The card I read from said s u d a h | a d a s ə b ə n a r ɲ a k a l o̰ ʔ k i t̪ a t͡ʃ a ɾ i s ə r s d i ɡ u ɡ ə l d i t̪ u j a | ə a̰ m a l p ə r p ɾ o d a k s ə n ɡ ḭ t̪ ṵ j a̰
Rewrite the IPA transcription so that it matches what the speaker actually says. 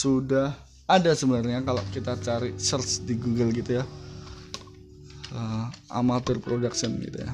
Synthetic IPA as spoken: s u d a h | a d a s ə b ə n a r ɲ a k a l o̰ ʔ k i t̪ a t͡ʃ a ɾ i s ə r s d i ɡ u ɡ ə l ɡ i t̪ u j a | ə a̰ m a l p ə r p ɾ o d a k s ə n ɡ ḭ t̪ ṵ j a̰